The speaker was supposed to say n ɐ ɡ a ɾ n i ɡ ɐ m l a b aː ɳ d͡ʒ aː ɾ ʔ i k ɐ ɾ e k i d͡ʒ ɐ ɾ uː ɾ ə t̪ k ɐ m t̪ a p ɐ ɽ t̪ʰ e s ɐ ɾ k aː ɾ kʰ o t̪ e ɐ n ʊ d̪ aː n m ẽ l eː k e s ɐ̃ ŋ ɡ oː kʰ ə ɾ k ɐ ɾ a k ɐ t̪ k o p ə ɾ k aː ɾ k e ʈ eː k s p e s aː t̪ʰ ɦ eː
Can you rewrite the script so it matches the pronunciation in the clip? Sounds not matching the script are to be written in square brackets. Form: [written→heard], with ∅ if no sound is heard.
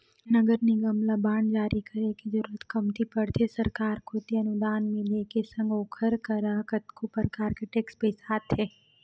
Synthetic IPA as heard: n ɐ ɡ [a→ə] ɾ n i ɡ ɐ m l a b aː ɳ d͡ʒ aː ɾ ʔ i k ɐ ɾ e k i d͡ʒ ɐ ɾ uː ɾ ə t̪ k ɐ m t̪ [a→i] p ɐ ɽ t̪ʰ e s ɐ ɾ k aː ɾ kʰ o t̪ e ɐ n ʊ d̪ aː n m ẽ l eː k e s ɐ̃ ŋ ɡ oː kʰ ə ɾ k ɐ ɾ a k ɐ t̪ k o p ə ɾ k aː ɾ k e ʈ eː k s p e s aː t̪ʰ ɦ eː